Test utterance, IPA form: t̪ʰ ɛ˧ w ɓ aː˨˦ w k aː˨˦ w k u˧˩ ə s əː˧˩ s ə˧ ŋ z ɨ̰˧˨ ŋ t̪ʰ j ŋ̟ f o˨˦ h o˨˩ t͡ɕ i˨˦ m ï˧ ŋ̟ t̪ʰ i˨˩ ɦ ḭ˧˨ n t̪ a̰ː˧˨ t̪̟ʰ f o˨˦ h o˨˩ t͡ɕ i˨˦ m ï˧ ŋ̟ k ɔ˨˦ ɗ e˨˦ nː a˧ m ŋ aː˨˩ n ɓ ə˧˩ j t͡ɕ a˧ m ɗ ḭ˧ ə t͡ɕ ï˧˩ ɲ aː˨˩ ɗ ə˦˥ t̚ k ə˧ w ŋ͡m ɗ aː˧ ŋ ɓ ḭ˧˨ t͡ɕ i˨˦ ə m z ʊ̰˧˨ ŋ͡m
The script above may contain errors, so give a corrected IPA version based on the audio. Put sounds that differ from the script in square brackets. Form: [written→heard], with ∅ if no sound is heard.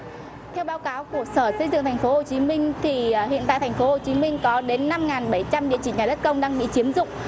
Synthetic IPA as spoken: t̪ʰ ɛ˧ w ɓ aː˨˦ w k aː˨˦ w k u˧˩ ə s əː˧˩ s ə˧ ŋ z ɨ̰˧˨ ŋ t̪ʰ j ŋ̟ f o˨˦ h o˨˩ t͡ɕ i˨˦ m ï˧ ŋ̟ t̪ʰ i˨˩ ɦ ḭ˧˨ n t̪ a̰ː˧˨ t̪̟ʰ f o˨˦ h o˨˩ t͡ɕ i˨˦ m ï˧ ŋ̟ k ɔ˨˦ ɗ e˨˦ nː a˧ m ŋ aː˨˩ n ɓ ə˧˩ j t͡ɕ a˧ m ɗ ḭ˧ ə t͡ɕ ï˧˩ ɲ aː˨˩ ɗ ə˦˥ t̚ k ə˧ w ŋ͡m ɗ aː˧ ŋ ɓ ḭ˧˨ t͡ɕ i˨˦ ə m z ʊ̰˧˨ ŋ͡m